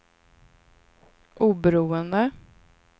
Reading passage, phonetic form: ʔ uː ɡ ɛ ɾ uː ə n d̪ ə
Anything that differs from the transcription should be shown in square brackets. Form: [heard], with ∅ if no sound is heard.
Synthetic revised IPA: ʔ uː [b] ɛ ɾ uː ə n d̪ ə